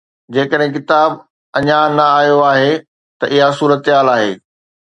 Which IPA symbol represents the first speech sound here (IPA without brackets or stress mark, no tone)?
d͡ʑ